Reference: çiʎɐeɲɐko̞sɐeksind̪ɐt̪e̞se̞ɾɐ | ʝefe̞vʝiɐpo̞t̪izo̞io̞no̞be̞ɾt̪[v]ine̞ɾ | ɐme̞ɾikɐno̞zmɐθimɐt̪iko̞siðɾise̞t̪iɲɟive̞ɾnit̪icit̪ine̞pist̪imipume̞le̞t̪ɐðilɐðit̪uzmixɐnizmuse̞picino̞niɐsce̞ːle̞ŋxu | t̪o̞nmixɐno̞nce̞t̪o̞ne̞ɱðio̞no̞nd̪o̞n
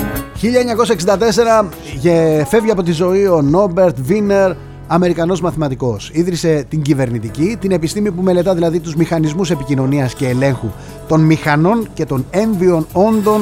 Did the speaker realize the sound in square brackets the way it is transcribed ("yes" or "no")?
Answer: yes